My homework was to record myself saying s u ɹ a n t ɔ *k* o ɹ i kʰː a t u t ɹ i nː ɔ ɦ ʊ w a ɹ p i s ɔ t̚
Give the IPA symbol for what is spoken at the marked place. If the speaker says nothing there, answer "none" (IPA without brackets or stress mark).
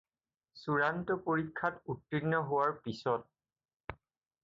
p